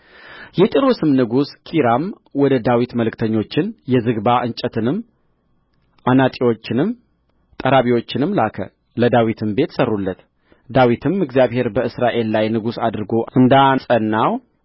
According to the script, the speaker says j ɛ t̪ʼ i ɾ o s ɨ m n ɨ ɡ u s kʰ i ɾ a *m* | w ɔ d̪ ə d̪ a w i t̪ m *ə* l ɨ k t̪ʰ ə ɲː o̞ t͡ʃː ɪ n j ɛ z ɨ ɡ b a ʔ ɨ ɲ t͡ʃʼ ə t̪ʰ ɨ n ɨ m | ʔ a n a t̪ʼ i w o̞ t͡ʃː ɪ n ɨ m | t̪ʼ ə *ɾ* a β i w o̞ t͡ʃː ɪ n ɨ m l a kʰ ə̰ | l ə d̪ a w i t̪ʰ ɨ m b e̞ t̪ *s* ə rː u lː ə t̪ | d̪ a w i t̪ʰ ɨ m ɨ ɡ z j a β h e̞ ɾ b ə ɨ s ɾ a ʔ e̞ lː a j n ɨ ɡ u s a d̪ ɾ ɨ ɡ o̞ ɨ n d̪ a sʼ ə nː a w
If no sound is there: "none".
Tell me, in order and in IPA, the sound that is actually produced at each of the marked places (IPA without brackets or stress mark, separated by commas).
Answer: m, ə, ɾ, s